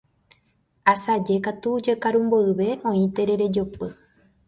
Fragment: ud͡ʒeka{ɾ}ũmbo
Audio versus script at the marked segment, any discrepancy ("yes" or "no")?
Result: no